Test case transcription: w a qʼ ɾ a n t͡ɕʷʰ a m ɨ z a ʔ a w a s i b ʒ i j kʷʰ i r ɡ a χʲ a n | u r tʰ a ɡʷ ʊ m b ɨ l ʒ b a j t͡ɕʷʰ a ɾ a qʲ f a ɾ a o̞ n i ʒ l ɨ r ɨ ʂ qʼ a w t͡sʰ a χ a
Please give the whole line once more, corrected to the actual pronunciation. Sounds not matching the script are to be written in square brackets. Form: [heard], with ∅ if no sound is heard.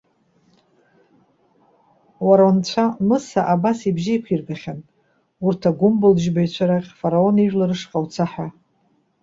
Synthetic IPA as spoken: w a [∅] ɾ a n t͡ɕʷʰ a m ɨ [s] a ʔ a [b] a s i b ʒ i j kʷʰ i r ɡ a χʲ a n | u r tʰ a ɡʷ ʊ m b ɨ l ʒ b a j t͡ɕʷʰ a ɾ a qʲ f a ɾ a o̞ n i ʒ l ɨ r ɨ ʂ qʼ a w t͡sʰ a [ħ] a